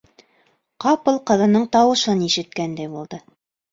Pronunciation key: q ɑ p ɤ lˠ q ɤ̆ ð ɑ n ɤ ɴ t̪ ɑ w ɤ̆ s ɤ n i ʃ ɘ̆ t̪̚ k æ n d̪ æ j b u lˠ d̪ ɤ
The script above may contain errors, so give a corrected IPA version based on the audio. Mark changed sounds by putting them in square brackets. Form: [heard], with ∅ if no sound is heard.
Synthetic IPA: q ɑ p ɤ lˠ q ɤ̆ ð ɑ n ɤ ɴ t̪ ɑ w ɤ̆ [ʃ] ɤ n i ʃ ɘ̆ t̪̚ k æ n d̪ æ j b u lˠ d̪ ɤ